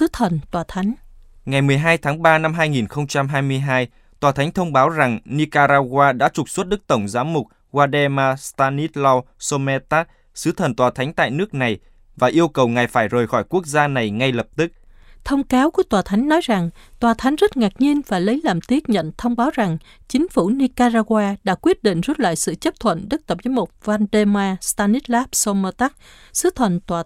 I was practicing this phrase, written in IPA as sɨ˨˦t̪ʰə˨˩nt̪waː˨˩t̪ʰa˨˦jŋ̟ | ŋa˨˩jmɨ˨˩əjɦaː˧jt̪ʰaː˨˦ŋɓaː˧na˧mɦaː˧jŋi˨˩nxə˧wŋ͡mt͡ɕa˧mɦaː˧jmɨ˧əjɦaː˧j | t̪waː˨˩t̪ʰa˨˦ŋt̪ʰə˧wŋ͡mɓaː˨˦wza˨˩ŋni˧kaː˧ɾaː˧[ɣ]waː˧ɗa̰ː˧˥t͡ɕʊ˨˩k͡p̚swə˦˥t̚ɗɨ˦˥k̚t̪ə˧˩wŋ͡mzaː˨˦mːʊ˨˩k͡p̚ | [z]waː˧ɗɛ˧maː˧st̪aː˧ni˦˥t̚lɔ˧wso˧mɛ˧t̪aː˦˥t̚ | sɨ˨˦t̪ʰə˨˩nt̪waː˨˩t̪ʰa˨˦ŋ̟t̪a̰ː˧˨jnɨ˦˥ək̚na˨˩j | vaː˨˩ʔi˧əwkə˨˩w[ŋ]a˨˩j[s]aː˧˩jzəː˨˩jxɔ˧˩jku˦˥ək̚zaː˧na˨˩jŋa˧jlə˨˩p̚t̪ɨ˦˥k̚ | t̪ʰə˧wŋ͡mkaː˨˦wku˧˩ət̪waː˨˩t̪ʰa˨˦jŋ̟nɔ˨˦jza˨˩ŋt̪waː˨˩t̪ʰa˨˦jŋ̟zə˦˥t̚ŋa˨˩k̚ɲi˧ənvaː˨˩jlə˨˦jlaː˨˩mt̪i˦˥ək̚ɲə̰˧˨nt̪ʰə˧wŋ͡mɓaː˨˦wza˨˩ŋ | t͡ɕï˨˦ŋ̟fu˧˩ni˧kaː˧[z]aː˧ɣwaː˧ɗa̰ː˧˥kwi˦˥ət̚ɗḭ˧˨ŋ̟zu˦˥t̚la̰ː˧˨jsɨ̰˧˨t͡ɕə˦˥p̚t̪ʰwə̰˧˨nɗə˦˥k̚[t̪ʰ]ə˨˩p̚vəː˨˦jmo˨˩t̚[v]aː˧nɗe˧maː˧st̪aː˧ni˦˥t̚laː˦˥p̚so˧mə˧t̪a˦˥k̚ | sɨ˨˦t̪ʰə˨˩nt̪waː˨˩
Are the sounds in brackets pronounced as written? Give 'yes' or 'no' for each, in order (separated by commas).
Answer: yes, no, yes, no, yes, no, yes